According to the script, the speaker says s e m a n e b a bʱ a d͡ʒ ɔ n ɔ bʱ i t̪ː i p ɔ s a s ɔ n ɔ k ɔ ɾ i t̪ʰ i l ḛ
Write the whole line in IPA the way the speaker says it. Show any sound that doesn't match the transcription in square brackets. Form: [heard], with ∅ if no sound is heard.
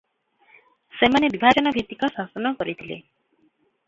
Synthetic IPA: s e m a n e b [i] bʱ a d͡ʒ ɔ n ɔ bʱ i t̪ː i [k] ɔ s a s ɔ n ɔ k ɔ ɾ i t̪ʰ i l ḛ